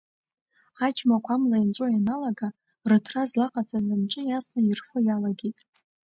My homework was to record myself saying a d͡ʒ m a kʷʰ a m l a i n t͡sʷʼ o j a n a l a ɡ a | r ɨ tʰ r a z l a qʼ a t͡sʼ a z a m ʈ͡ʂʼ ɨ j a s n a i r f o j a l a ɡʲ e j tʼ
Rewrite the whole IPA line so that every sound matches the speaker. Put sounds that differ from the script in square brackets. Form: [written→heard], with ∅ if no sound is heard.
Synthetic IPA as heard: a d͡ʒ m a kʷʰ a m l a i n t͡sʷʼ o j a n a l a ɡ a | r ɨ tʰ r a z l a qʼ a t͡sʼ a z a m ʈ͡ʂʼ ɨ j a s n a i r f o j a l a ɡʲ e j tʼ